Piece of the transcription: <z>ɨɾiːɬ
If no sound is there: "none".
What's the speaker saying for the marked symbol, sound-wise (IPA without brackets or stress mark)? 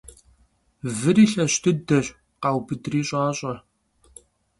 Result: v